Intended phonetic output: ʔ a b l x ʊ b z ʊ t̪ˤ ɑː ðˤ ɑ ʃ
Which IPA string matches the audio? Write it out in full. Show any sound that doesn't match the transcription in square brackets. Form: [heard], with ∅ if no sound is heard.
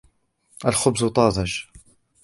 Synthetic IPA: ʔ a [∅] l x ʊ b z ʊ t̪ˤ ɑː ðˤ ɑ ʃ